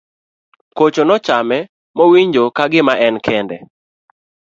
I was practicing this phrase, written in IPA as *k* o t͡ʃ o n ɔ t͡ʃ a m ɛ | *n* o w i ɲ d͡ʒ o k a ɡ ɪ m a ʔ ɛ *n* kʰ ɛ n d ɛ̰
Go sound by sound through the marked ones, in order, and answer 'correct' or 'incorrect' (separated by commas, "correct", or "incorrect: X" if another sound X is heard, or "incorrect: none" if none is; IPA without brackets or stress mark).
correct, incorrect: m, correct